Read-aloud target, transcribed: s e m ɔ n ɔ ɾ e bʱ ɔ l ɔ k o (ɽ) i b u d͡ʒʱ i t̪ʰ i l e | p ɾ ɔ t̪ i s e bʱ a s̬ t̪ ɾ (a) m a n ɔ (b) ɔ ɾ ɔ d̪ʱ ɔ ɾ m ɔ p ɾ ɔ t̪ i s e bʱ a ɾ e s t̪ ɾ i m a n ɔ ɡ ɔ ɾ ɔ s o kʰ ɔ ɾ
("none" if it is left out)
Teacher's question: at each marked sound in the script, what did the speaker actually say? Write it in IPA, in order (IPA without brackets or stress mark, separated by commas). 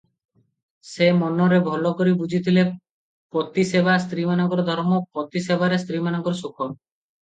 ɾ, i, ɡ